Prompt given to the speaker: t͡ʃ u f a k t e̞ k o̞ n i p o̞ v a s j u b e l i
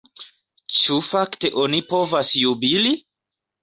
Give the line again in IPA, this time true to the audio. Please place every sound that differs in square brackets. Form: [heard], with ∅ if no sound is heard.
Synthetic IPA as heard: t͡ʃ u f a k t e̞ [ʔ] o̞ n i p o̞ v a s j u b [i] l i